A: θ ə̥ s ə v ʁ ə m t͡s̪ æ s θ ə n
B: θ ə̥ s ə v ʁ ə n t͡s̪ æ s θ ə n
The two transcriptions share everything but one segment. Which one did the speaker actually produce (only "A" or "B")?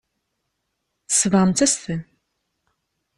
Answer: A